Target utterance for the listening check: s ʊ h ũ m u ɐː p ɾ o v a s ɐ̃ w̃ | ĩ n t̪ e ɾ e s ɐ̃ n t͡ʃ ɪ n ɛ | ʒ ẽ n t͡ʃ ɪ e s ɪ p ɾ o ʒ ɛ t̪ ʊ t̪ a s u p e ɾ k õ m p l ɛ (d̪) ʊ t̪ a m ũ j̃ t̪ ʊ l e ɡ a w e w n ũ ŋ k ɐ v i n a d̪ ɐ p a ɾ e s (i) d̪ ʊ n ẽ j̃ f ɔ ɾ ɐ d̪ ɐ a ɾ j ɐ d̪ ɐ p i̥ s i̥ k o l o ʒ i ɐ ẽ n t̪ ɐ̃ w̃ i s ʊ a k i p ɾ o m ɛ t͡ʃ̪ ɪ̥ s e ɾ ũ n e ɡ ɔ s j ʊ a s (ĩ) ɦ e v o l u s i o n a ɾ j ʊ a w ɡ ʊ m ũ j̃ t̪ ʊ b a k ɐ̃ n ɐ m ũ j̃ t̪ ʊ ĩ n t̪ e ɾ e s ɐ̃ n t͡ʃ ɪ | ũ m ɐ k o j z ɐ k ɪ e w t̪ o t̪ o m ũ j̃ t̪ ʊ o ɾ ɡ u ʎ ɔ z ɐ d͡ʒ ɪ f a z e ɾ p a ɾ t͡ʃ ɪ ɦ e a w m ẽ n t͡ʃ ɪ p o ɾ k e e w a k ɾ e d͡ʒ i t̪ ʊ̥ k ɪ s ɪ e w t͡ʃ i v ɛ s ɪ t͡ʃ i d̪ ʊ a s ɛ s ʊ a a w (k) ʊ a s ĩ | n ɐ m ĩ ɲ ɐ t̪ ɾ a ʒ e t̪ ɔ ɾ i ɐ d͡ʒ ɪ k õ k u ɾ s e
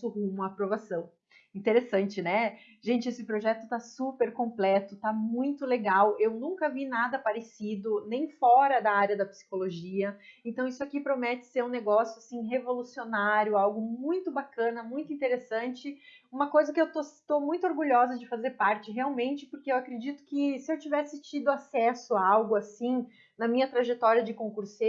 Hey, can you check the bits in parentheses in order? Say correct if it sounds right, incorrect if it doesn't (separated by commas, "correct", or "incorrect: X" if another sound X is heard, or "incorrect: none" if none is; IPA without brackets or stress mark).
incorrect: t̪, correct, correct, incorrect: ɡ